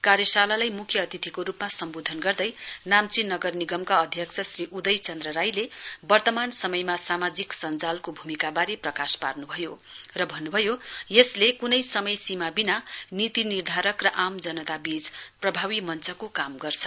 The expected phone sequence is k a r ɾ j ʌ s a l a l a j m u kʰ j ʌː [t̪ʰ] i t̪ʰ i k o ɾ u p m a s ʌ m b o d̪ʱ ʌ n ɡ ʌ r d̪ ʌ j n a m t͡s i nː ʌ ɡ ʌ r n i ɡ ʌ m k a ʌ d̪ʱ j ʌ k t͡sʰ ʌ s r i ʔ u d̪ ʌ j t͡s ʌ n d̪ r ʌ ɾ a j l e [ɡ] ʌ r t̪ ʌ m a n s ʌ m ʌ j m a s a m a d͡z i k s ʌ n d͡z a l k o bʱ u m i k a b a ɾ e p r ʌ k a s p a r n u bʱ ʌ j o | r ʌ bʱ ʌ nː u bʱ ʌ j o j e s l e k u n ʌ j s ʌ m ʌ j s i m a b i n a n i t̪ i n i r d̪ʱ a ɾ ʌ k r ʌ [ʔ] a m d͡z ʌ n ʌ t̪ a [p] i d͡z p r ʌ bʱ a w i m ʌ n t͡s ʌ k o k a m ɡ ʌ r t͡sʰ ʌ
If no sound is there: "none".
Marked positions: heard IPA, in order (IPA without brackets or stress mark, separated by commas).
t̪, b, ʔ, b